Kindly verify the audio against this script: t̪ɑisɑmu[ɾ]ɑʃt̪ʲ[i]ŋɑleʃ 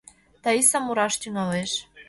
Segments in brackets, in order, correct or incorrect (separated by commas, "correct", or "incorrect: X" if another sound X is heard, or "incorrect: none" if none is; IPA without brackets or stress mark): correct, incorrect: y